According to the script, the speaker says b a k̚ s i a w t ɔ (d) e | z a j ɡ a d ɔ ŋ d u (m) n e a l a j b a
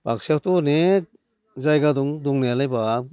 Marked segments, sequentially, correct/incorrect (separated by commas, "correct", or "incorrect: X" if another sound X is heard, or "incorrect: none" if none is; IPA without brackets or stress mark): incorrect: n, incorrect: ŋ